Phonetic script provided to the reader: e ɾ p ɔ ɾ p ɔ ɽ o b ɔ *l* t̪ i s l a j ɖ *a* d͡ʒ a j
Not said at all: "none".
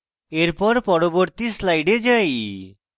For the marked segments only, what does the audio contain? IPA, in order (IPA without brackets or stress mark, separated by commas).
ɾ, e